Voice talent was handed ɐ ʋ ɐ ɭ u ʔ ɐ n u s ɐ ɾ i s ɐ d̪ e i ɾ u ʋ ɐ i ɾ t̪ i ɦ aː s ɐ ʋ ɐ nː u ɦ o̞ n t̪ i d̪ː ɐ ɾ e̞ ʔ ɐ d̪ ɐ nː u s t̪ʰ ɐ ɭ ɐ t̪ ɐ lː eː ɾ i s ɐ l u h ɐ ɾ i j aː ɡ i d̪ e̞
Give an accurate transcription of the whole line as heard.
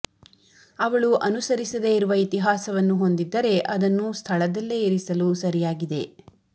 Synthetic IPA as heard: ɐ ʋ ɐ ɭ u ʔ ɐ n u s ɐ ɾ i s ɐ d̪ e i ɾ u ʋ ɐ i t̪ i ɦ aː s ɐ ʋ ɐ nː u ɦ o̞ n d̪ i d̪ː ɐ ɾ e̞ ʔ ɐ d̪ ɐ nː u s t̪ʰ ɐ ɭ ɐ d̪ ɐ lː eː ɾ i s ɐ l u s ɐ ɾ i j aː ɡ i d̪ e̞